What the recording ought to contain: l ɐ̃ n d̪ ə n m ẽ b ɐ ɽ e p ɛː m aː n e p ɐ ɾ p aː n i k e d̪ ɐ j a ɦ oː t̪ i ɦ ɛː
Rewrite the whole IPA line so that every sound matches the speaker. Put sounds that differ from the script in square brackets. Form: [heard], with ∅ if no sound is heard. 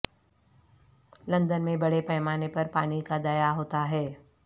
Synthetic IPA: l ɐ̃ n d̪ ə n m ẽ b ɐ ɽ e p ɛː m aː n e p ɐ ɾ p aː n i k [a] d̪ ɐ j a ɦ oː t̪ [a] ɦ ɛː

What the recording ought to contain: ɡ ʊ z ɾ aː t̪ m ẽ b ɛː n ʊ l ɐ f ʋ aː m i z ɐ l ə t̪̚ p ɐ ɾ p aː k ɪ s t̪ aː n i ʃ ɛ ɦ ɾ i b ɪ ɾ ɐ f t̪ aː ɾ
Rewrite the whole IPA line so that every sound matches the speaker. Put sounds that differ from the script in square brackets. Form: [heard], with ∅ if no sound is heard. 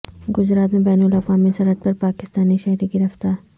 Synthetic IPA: ɡ ʊ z ɾ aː t̪ m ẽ b ɛː n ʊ l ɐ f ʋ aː m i [s] ɐ [ɾ] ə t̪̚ p ɐ ɾ p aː k ɪ s t̪ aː n i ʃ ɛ ɦ ɾ i [ɡ] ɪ ɾ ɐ f t̪ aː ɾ

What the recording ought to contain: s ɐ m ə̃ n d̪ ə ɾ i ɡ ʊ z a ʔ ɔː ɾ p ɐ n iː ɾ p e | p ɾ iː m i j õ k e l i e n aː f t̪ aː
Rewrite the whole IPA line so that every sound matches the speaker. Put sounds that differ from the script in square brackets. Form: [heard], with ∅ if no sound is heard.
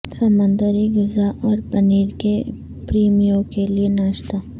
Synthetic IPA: s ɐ m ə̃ n d̪ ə ɾ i ɡ ʊ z a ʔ ɔː ɾ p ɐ n iː ɾ [k] e | p ɾ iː m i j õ k e l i e n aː [ʃ] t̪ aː

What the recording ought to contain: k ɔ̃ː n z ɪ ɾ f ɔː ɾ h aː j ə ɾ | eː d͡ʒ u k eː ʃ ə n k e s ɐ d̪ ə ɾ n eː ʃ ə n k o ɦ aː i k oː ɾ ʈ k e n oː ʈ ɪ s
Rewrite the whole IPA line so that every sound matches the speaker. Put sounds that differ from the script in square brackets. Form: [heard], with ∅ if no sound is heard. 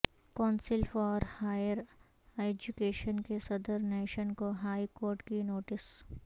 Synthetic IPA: k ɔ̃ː n [s] ɪ [l] f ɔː ɾ h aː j ə ɾ | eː d͡ʒ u k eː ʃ ə n k e s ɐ d̪ ə ɾ n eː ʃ ə n k o ɦ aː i k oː ɾ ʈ k [i] n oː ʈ ɪ s

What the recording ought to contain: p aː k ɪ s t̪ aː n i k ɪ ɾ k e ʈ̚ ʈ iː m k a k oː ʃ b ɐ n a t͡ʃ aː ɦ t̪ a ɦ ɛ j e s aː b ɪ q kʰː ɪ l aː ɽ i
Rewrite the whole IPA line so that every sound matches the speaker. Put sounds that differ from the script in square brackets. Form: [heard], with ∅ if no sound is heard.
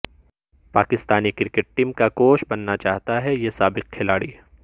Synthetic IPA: p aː k ɪ s t̪ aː n i k ɪ ɾ k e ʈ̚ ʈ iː m k a k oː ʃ b ɐ [nː] a t͡ʃ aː ɦ t̪ a ɦ ɛ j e s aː b ɪ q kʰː ɪ l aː ɽ i

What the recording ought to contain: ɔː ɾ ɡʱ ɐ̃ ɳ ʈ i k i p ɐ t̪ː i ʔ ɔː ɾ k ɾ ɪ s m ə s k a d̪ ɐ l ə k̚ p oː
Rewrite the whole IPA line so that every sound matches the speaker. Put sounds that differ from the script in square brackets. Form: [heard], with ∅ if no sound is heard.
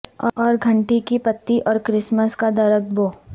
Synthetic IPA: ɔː ɾ ɡʱ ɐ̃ ɳ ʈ i k i p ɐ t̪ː i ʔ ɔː ɾ k ɾ ɪ s m ə s k a d̪ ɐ [ɾ] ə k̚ [b] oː

